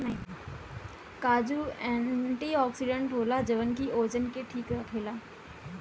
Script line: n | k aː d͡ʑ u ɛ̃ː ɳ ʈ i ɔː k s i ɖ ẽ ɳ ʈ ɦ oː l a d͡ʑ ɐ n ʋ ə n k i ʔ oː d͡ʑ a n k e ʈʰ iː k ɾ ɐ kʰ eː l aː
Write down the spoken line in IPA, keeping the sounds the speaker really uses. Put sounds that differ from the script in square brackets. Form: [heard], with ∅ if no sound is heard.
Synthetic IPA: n | k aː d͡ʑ u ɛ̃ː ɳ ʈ i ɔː k s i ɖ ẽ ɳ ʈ ɦ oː l a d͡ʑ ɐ [∅] ʋ ə n k i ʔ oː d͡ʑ [ə] n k e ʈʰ iː k ɾ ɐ kʰ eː l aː